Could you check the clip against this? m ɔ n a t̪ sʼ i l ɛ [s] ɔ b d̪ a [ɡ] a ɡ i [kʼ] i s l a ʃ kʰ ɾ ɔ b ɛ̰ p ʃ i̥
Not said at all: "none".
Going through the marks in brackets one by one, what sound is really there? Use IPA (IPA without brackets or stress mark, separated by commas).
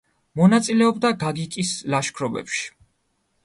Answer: none, ɡ, kʼ